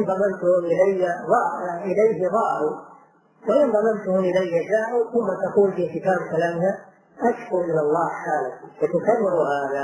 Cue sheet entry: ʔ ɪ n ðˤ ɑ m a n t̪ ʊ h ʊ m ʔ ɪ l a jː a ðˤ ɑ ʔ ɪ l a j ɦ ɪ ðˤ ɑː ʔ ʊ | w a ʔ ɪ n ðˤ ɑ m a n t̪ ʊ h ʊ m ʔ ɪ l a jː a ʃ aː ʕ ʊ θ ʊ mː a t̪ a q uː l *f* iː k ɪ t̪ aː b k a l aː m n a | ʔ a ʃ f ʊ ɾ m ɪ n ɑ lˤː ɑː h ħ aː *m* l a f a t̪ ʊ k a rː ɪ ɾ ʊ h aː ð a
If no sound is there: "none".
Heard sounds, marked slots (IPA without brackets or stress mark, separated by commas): f, none